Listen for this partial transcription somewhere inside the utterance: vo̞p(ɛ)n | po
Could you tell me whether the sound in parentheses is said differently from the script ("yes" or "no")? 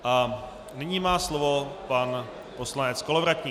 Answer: yes